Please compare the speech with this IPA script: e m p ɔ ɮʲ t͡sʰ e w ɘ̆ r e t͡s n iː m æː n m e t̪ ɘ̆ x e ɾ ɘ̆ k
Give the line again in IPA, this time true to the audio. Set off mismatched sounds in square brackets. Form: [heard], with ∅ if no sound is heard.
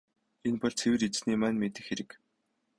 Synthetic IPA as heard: e [n] p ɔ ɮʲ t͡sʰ e w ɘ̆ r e t͡s n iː m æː n m e t̪ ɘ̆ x e ɾ ɘ̆ k